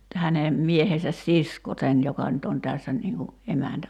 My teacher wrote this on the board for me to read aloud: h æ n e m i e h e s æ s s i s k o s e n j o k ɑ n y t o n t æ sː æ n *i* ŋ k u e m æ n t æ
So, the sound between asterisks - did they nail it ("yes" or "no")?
no